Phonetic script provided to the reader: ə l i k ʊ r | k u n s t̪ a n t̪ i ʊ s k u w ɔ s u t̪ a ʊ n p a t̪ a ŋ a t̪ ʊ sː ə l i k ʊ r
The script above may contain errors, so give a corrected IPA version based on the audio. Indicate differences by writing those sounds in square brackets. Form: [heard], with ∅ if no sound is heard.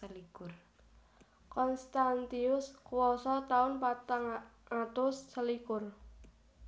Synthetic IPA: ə l i k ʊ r | k [ɔ] n s t̪ a n t̪ i ʊ s k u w ɔ s [ɔ] t̪ a ʊ n p a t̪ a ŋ a t̪ ʊ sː ə l i k ʊ r